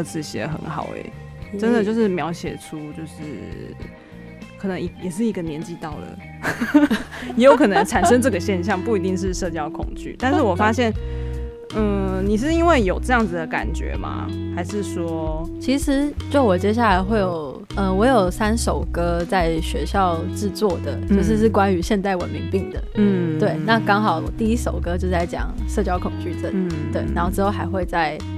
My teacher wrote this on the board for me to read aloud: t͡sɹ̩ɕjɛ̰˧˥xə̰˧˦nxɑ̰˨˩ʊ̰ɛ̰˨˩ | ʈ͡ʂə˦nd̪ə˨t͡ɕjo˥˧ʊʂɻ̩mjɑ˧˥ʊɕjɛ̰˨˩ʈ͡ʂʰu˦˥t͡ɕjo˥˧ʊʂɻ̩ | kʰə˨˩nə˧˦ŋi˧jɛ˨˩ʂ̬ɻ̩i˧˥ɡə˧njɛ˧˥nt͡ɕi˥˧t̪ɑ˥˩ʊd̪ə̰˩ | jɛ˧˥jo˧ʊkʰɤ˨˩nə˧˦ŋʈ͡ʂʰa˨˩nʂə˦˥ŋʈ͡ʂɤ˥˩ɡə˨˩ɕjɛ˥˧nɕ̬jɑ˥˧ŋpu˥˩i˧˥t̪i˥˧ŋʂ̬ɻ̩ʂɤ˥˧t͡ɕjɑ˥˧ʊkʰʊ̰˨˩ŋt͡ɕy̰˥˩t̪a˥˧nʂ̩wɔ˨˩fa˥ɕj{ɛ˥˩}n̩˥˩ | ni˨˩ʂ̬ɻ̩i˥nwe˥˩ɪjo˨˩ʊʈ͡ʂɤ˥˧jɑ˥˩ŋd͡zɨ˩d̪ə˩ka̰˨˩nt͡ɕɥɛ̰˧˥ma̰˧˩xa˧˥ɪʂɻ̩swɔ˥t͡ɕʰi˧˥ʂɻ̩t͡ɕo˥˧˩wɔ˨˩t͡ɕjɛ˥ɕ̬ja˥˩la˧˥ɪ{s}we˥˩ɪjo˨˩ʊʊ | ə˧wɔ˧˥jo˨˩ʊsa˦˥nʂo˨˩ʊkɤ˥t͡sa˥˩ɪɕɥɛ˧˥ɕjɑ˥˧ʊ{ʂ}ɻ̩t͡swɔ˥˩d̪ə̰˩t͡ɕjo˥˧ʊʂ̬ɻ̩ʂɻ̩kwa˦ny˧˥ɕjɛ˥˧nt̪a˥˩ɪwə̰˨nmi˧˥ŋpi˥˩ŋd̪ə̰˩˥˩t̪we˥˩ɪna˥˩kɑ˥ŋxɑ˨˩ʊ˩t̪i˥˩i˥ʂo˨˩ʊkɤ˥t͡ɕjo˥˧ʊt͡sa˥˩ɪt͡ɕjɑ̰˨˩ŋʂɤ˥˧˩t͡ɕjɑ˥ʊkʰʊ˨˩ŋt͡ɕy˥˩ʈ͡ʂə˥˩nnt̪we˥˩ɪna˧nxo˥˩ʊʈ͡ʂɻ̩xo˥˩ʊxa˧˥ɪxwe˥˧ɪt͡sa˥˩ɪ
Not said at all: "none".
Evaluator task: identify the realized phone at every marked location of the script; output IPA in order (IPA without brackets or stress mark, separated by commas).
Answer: ɛ˥˩, x, ʈ͡ʂ